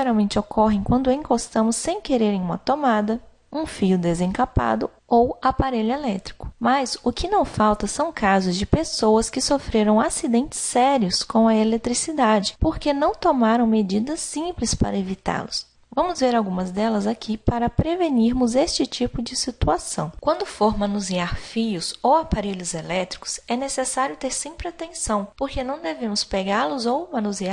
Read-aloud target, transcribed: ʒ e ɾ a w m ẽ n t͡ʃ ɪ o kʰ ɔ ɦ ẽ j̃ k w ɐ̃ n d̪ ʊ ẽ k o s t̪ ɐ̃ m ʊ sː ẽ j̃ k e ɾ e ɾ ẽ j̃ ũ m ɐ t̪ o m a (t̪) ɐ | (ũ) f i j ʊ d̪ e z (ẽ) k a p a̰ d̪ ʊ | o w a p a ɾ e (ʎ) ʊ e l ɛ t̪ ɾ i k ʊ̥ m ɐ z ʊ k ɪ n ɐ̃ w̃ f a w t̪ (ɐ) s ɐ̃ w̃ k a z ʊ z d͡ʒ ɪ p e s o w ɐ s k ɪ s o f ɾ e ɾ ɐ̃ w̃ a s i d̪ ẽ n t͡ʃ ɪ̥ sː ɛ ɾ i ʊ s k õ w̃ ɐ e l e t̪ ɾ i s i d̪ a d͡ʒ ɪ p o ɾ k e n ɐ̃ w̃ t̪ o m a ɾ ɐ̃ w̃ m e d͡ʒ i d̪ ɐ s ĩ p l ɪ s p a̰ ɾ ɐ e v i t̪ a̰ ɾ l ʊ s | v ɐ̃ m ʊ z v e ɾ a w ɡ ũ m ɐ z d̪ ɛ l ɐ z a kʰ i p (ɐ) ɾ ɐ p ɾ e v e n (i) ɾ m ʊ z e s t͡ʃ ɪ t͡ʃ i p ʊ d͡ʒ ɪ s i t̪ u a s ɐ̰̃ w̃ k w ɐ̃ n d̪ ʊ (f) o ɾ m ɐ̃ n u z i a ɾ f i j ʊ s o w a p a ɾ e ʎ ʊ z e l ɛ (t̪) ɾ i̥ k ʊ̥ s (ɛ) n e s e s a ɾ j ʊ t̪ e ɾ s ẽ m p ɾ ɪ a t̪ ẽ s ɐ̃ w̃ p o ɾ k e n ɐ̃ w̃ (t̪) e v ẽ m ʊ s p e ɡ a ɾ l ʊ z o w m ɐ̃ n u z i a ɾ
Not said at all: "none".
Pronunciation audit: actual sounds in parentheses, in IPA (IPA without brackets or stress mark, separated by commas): d̪, ũ, ẽ, ʎ, ɐ, a, i, f, t̪, ɛ, d̪